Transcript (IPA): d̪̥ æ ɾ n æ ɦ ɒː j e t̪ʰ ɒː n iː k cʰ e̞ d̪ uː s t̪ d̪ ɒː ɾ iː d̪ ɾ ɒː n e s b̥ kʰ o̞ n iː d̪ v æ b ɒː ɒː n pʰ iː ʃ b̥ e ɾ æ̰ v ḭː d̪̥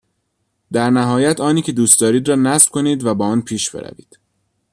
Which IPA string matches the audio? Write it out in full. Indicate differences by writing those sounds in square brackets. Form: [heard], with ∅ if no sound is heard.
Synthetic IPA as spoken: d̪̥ æ ɾ n æ ɦ ɒː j [æ] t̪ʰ ɒː n iː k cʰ e̞ d̪ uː s t̪ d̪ ɒː ɾ iː d̪ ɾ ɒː n [æ] s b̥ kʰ o̞ n iː d̪ v æ b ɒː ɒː n pʰ iː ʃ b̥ e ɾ æ̰ v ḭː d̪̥